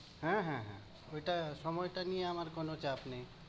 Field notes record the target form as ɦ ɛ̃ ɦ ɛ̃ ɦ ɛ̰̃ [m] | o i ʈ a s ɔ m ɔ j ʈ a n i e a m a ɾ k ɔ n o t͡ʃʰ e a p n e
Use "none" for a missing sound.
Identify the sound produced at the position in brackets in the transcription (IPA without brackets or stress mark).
none